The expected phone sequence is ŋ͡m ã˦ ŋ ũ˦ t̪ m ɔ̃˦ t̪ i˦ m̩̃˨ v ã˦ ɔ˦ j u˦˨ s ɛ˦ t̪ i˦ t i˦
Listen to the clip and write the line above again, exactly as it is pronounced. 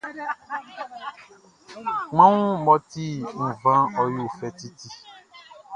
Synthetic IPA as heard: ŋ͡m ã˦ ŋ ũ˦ m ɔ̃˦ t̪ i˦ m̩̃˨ v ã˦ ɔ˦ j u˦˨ f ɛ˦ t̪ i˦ t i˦